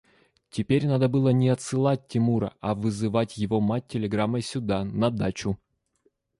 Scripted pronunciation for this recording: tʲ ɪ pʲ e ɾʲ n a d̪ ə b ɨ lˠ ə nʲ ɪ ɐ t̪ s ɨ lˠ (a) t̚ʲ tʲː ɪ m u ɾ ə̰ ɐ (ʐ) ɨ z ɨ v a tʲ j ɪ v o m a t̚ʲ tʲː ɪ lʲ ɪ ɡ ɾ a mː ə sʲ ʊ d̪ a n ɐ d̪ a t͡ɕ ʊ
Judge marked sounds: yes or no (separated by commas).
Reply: yes, no